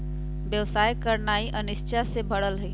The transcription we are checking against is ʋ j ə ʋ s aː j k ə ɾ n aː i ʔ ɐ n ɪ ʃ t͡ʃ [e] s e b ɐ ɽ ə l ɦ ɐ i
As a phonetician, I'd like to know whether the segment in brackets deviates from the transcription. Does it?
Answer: yes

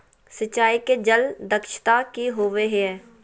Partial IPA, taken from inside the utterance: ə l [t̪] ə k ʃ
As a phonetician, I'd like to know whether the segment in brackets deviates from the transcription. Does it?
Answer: yes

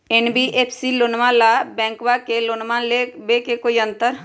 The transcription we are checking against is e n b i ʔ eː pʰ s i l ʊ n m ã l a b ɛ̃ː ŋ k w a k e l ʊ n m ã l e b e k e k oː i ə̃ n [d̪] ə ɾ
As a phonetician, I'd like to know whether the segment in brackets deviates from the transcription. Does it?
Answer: yes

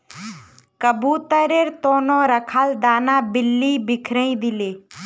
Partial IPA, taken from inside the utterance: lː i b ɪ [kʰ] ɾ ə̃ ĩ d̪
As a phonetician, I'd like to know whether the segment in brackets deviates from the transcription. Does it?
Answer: no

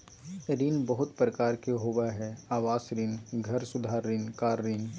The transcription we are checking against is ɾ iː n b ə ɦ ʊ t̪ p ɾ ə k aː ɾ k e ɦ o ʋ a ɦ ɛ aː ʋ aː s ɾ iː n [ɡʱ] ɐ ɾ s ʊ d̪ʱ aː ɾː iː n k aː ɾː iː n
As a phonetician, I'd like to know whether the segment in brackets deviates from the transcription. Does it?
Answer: no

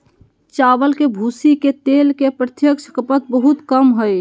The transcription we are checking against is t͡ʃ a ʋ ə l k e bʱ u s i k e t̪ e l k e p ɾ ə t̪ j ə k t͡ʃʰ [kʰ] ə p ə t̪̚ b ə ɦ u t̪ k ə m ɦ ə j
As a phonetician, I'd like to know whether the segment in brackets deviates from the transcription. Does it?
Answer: yes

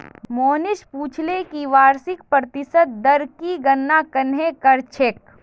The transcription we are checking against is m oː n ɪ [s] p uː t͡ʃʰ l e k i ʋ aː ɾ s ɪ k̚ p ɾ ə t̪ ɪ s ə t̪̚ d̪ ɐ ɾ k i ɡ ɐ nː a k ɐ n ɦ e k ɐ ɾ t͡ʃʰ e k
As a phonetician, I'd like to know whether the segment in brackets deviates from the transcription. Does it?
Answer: yes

